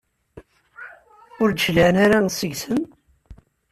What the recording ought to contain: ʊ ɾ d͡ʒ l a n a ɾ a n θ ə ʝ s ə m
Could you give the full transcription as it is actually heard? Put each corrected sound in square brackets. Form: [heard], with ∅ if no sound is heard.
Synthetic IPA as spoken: ʊ ɾ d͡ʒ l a n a ɾ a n [s] ə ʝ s ə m

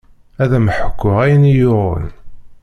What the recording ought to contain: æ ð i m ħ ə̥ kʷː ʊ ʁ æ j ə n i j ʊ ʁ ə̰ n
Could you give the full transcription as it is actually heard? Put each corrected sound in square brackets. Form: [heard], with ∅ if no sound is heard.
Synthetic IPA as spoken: æ ð [æ] m ħ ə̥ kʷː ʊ ʁ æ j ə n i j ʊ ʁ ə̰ n

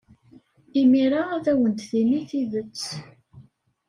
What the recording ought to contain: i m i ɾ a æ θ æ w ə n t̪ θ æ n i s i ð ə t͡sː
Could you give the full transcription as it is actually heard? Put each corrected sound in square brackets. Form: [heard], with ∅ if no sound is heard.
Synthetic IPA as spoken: i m i ɾ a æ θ æ w ə n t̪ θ [i] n i [θ] i ð ə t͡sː

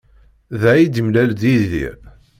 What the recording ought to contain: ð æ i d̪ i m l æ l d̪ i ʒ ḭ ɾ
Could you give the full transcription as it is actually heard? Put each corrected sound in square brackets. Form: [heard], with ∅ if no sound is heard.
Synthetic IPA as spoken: ð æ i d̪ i m l æ l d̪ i [ð] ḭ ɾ

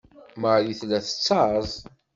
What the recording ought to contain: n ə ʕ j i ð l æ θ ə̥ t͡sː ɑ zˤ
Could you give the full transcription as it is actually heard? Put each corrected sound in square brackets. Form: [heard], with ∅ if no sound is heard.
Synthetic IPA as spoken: [m] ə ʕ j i [θ] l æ θ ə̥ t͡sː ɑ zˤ

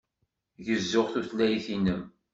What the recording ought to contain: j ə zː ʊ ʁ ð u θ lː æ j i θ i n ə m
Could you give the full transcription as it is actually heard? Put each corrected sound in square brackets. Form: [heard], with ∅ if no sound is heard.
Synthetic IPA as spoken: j ə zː ʊ ʁ [θ] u θ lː æ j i θ i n ə m

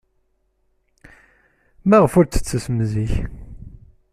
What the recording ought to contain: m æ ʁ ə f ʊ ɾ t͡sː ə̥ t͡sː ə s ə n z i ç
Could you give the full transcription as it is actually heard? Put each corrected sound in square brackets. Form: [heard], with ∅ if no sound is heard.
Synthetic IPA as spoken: m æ ʁ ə f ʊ ɾ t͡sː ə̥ t͡sː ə s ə [m] z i ç

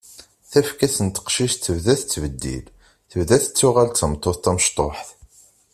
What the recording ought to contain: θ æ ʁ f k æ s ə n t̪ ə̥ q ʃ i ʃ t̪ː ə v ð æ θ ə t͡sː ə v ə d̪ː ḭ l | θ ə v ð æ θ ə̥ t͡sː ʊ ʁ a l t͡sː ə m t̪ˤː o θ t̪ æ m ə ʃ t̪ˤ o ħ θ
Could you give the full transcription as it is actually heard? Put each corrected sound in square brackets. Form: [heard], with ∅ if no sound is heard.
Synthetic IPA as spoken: θ æ [∅] f k æ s ə n t̪ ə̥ q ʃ i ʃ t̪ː ə v ð æ θ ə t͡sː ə v ə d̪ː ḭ l | θ ə v ð æ θ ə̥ t͡sː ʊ ʁ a l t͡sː ə m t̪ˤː o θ t̪ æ m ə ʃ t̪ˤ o ħ θ

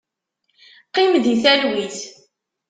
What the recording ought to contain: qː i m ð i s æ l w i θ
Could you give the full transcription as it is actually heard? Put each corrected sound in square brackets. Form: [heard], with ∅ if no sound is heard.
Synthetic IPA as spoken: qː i m ð i [θ] æ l w i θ

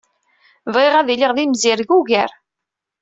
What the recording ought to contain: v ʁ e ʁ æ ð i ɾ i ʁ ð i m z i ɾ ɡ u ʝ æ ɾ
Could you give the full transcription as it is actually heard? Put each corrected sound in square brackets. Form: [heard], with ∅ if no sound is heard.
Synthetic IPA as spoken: v ʁ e ʁ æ ð i [l] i ʁ ð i m z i ɾ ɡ u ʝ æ ɾ

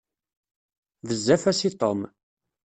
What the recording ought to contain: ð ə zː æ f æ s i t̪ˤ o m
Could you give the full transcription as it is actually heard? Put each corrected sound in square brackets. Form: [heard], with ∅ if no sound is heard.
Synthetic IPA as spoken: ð ə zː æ f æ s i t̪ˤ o m

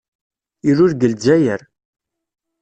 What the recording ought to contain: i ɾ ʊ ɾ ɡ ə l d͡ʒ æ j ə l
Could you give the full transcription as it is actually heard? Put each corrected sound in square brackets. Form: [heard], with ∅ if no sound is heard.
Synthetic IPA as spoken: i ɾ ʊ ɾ ɡ ə l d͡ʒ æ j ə [ɾ]

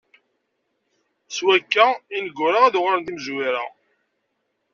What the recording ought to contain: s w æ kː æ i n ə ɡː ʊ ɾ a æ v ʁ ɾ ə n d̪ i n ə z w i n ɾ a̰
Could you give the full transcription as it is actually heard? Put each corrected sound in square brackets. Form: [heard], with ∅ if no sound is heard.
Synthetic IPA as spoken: s w æ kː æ i n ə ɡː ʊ ɾ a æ [ð] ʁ ɾ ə n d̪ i [m] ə z w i [∅] ɾ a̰

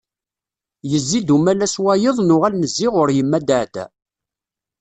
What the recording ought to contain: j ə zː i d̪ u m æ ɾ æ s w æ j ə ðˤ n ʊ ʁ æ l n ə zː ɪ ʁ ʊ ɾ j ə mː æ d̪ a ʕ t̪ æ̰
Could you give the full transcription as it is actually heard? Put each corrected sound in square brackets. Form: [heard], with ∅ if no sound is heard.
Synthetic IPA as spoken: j ə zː i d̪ u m æ [l] æ s w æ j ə ðˤ n ʊ ʁ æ l n ə zː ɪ ʁ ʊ ɾ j ə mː æ d̪ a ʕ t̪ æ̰

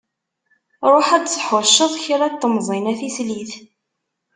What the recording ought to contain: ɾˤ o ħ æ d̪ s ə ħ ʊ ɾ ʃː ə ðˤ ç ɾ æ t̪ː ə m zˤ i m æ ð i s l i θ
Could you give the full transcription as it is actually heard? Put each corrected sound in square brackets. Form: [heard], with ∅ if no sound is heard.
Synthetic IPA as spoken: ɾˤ o ħ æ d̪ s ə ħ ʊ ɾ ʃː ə ðˤ ç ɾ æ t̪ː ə m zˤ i [n] æ [θ] i s l i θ

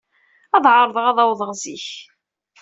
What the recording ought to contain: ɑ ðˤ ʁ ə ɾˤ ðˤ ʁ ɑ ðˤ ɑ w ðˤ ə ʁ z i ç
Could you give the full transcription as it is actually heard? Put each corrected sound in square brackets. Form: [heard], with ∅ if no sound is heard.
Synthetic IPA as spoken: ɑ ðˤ [ʕ] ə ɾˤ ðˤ ʁ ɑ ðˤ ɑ w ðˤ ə ʁ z i ç

